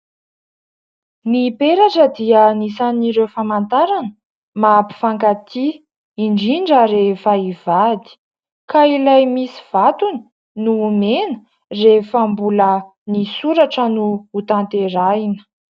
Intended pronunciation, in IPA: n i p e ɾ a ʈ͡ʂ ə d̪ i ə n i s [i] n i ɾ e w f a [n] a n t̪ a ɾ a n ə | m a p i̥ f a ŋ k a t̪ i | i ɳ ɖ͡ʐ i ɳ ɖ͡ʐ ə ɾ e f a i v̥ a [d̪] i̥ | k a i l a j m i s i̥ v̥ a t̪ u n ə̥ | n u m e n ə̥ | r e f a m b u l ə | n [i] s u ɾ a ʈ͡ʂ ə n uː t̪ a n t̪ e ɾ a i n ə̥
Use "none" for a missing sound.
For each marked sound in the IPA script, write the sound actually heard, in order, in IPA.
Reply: a, m, d̪, i

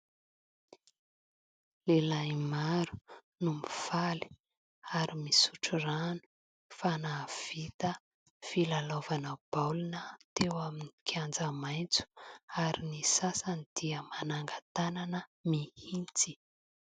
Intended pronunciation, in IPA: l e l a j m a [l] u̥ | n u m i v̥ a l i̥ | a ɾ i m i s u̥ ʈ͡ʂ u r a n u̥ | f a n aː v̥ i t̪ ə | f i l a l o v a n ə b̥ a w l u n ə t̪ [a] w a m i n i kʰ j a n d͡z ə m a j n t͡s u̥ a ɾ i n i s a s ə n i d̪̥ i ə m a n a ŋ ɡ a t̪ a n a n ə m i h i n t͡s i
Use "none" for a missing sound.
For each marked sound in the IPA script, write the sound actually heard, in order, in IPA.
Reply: ɾ, e

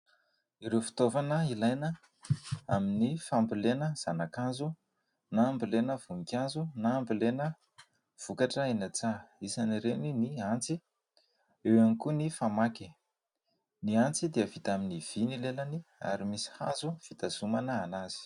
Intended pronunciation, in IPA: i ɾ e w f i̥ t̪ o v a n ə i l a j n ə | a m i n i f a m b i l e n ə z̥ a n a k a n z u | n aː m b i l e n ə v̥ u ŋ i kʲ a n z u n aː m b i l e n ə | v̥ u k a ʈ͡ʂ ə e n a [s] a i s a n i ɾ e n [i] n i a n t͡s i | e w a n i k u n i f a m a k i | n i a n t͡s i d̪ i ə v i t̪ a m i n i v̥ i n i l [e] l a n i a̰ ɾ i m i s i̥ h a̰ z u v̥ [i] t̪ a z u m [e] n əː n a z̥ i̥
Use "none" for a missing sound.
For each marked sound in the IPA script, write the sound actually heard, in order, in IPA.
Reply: t͡s, i, e, i, a

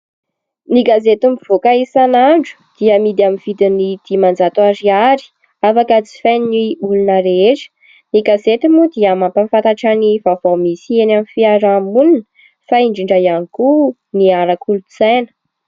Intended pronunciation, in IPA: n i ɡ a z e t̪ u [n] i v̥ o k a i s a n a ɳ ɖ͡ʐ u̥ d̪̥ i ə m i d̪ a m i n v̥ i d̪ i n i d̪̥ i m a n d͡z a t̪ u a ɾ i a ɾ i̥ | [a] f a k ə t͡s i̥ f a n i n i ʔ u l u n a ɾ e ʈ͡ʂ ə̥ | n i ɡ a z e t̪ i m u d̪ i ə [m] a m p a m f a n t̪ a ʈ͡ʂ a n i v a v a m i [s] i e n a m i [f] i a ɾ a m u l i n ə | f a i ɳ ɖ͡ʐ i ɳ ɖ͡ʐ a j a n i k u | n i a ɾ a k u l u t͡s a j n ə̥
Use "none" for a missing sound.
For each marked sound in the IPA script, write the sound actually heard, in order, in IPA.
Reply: m, a, m, s, f

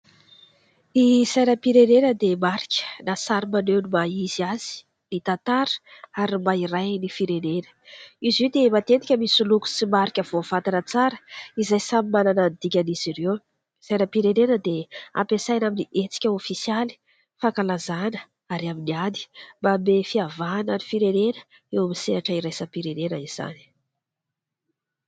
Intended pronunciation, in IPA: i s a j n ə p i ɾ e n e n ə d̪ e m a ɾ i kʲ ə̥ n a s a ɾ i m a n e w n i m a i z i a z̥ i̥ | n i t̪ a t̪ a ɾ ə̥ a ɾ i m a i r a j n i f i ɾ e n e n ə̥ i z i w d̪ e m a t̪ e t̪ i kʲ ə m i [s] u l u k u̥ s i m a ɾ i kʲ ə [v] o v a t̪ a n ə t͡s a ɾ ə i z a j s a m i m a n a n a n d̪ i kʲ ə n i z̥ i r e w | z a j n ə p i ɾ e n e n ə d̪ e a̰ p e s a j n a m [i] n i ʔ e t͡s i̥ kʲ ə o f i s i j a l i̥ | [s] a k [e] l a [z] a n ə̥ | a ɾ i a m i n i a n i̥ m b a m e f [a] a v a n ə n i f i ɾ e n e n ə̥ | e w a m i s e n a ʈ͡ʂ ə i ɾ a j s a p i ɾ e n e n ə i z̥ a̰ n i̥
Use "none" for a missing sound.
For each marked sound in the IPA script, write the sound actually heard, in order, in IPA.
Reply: s, v, i, f, a, z, i

